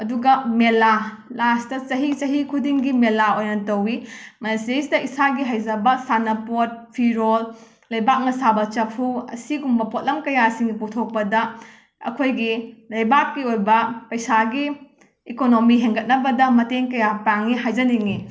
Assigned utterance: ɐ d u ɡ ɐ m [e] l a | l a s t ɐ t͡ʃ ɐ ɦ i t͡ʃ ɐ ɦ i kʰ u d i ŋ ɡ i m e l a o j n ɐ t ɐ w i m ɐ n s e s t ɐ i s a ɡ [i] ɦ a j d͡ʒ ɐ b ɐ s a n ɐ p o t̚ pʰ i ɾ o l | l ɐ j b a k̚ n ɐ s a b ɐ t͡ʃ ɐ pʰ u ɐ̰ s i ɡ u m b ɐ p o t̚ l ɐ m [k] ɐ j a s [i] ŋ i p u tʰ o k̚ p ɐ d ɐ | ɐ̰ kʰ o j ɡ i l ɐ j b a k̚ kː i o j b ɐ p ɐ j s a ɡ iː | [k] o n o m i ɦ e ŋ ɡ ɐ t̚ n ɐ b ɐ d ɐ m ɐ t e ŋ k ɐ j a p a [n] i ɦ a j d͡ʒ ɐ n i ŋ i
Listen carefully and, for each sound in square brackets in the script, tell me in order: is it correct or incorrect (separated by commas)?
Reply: correct, correct, correct, correct, correct, incorrect